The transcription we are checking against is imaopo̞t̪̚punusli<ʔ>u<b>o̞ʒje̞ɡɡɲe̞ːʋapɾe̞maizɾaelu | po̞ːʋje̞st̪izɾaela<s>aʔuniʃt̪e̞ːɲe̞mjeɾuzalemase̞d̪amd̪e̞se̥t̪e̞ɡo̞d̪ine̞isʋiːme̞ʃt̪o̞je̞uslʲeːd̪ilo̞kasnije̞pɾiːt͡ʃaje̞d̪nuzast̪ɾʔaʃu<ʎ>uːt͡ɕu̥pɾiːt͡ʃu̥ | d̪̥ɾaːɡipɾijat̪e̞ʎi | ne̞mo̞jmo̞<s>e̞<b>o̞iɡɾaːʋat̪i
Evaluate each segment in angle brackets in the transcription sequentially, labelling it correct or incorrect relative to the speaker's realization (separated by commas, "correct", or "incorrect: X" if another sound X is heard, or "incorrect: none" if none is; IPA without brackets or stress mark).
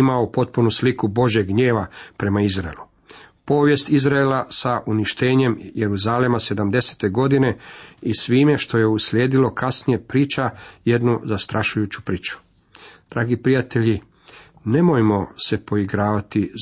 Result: incorrect: k, correct, correct, incorrect: j, correct, incorrect: p